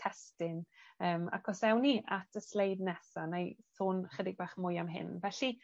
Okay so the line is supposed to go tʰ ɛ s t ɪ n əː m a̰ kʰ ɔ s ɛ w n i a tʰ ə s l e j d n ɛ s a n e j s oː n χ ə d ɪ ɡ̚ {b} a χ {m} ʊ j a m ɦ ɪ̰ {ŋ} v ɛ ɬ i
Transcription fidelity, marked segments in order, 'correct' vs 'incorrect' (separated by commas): correct, correct, incorrect